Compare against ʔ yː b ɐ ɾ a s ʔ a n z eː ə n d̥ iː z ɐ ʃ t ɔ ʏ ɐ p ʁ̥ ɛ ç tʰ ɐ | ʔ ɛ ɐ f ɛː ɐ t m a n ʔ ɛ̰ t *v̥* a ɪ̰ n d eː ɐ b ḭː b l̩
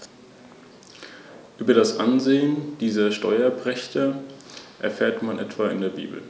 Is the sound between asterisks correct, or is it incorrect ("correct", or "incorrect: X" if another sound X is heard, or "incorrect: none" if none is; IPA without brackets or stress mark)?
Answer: correct